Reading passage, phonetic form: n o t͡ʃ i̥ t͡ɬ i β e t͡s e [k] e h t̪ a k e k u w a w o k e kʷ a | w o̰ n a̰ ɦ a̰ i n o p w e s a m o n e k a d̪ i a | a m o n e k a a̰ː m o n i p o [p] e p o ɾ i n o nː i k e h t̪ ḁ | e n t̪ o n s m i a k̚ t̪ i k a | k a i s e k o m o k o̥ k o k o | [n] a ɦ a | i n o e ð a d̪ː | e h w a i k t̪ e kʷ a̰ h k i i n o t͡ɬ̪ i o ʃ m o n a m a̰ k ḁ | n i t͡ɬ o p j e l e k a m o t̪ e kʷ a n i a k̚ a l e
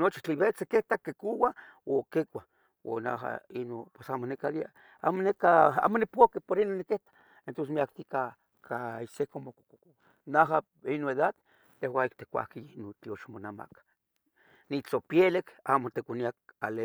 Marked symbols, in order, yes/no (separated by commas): yes, no, yes